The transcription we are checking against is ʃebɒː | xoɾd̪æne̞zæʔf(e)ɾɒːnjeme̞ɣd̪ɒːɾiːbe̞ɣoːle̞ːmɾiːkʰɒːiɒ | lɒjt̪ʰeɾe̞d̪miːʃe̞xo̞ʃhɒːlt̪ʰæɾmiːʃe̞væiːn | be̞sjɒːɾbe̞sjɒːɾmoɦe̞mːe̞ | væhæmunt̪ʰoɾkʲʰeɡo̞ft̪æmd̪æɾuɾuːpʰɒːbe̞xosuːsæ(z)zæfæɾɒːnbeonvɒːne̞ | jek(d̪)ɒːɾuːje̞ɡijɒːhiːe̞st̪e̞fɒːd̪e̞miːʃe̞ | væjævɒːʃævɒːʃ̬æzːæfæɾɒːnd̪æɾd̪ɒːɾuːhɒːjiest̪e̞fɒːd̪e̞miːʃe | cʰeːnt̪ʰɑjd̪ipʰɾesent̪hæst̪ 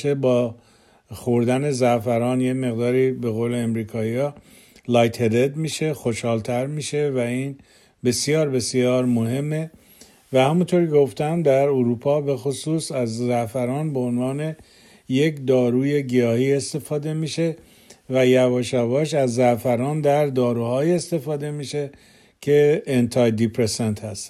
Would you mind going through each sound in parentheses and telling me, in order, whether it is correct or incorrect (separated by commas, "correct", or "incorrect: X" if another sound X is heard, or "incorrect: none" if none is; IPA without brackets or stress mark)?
incorrect: æ, correct, correct